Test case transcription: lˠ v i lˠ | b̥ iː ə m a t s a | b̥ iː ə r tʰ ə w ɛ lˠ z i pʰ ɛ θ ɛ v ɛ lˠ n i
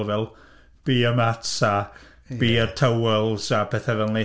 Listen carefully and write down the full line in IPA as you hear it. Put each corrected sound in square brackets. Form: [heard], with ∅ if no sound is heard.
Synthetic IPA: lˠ v [ɛ] lˠ | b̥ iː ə m a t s a | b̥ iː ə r tʰ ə w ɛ lˠ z [a] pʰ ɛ θ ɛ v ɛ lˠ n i